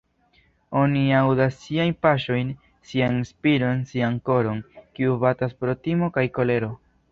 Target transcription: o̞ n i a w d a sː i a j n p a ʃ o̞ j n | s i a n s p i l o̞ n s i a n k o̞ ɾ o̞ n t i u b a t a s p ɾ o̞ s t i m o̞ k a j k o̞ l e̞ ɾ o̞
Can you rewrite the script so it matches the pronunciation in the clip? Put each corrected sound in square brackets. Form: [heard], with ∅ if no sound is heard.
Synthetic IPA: o̞ n i a w d a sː i a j n p a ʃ o̞ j n | s i a n s p i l o̞ n s i a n k o̞ ɾ o̞ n [k] i u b a t a s p ɾ o̞ [∅] t i m o̞ k a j k o̞ l e̞ ɾ o̞